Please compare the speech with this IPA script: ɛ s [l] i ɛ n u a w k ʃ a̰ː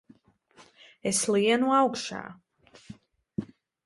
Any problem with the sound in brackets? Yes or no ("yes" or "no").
no